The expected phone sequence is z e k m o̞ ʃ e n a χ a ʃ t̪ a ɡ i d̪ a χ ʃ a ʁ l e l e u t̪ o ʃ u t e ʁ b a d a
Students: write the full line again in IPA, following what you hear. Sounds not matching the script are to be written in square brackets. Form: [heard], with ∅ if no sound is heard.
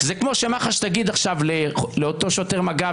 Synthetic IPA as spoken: z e k m o̞ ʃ e [m] a χ a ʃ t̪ a ɡ i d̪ a χ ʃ a [v] l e l e [o] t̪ o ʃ [o] t e ʁ [m] a [ɡ] a